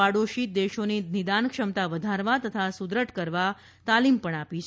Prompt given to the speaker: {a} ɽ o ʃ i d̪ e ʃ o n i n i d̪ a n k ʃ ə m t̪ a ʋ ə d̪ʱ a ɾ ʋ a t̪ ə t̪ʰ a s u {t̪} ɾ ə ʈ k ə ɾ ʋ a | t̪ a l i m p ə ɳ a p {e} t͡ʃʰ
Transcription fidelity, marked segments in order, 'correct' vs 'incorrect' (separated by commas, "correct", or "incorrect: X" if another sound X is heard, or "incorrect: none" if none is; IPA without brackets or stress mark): correct, incorrect: d̪, incorrect: i